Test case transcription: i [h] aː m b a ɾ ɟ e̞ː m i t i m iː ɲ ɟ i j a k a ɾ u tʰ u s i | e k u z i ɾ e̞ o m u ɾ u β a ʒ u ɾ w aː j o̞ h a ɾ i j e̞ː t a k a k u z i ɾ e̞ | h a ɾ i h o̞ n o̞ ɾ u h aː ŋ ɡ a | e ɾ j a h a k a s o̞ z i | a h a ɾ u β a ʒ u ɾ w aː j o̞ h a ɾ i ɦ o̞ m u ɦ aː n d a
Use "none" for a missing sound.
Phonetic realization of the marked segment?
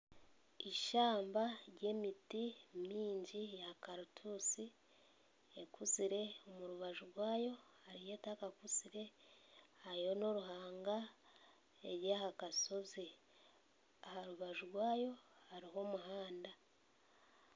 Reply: ʃ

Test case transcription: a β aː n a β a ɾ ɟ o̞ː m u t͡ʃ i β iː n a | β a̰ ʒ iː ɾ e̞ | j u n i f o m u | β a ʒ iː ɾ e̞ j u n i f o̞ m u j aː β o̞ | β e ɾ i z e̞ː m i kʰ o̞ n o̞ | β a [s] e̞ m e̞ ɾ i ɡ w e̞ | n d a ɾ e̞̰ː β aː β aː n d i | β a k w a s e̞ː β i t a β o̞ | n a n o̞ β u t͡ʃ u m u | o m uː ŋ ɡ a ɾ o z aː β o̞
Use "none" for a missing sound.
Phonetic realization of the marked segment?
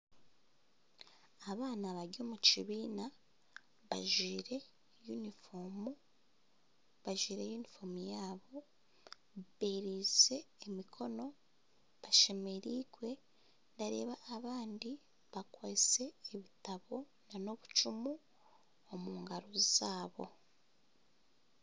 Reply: ʃ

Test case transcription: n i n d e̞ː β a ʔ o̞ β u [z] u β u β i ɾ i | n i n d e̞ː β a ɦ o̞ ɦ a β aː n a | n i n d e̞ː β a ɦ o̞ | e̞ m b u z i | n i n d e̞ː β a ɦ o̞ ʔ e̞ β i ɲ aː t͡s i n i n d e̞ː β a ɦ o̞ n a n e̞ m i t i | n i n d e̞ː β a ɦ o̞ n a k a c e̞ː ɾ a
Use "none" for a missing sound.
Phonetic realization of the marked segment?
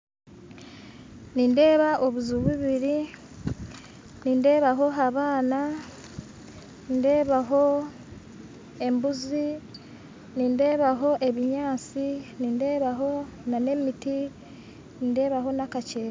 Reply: z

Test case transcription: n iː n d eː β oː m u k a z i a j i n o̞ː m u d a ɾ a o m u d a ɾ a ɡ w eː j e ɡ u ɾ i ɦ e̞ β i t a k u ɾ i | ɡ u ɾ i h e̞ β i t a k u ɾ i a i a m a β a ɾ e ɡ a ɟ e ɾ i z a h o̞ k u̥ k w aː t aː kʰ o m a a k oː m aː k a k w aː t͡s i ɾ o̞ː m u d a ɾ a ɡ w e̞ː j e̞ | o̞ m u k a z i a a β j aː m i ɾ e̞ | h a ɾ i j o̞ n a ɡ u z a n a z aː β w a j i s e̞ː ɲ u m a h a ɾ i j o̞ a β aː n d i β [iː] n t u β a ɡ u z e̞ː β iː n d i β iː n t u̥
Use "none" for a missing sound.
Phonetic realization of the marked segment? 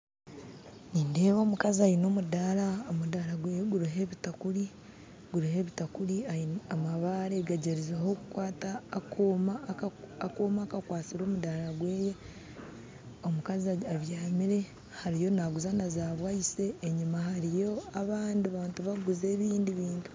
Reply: aː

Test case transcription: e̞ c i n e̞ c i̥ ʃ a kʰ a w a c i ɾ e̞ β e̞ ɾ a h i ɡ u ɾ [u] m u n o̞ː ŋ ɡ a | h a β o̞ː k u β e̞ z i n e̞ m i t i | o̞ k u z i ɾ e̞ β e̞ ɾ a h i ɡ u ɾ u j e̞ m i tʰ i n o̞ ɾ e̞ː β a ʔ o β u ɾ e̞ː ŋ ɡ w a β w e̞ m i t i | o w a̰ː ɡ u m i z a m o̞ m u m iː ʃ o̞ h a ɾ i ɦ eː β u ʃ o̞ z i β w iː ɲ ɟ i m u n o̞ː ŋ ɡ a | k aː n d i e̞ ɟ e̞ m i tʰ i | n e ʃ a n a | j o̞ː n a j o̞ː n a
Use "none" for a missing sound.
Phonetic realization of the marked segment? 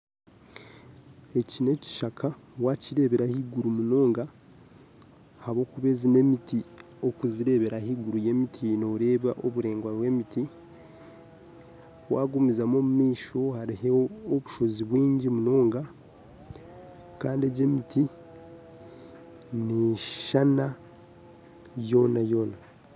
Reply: u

